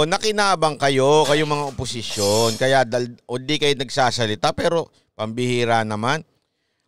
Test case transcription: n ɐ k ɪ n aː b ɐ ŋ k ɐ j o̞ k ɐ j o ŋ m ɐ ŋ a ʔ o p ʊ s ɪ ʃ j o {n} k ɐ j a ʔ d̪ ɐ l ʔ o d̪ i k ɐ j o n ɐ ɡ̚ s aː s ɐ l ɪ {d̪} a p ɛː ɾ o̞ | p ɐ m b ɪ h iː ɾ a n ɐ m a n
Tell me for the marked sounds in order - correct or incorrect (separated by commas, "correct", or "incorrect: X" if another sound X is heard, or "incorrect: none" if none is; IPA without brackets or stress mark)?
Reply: correct, incorrect: t̪